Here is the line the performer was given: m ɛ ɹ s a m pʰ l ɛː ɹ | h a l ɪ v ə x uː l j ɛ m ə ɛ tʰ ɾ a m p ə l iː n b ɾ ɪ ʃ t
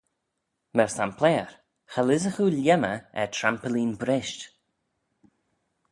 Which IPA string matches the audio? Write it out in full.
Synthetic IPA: m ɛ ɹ s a m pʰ l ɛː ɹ | x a l ɪ z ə x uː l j ɛ m ə ɛ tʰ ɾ a m p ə l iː n b ɾ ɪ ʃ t